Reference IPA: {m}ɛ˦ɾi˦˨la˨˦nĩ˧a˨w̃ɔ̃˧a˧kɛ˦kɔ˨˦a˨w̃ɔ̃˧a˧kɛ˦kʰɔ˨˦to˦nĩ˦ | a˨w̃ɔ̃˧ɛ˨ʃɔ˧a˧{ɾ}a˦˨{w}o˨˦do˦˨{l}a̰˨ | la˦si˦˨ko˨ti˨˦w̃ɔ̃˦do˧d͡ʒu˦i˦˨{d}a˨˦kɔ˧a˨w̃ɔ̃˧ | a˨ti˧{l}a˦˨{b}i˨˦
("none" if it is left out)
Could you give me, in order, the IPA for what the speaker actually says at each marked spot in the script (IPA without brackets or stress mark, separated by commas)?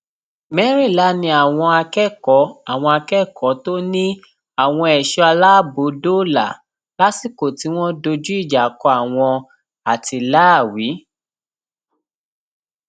m, l, b, l, d͡ʒ, l, w